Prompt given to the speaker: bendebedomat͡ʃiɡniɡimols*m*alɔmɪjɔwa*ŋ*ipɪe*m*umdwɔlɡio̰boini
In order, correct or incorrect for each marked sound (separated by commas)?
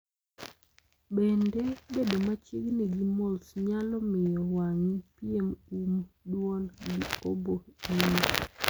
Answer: incorrect, correct, correct